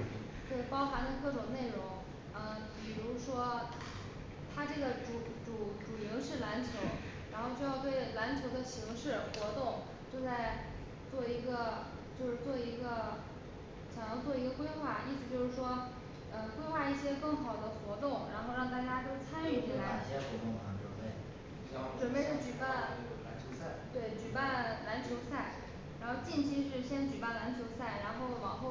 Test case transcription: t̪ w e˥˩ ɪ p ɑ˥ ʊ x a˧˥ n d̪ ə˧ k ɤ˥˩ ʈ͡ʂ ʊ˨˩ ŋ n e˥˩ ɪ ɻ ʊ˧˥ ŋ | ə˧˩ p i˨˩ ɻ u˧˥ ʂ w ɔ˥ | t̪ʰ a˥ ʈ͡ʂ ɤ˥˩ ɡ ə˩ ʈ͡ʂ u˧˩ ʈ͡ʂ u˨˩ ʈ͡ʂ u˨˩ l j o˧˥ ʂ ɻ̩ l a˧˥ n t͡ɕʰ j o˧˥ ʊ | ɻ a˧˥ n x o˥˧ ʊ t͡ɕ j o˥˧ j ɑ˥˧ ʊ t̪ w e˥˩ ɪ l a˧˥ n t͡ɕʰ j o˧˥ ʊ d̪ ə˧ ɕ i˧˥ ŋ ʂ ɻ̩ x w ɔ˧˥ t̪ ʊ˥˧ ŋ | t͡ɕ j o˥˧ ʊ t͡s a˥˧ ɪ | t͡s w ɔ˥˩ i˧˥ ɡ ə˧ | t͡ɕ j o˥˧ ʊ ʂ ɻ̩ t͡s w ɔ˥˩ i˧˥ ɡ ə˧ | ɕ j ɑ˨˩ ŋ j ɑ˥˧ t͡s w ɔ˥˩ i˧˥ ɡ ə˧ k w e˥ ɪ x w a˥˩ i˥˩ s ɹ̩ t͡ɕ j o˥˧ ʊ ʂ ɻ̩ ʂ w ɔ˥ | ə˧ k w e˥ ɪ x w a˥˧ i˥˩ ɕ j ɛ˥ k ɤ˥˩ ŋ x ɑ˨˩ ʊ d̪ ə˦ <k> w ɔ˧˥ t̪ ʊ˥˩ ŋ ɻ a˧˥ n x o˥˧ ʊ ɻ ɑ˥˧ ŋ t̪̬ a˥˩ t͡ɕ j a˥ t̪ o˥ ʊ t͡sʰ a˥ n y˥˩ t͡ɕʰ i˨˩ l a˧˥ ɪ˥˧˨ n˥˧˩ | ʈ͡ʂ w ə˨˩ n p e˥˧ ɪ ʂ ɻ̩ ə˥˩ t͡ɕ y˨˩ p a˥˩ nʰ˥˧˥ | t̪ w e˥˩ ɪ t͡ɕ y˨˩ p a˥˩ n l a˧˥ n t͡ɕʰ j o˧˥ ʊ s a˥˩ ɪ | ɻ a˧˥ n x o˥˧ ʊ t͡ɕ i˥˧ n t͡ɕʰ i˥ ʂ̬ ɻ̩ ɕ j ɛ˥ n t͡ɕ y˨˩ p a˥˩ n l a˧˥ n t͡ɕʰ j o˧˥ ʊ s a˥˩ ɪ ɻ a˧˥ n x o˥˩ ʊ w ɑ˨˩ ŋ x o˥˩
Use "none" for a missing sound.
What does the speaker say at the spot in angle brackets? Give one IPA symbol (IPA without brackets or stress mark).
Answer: x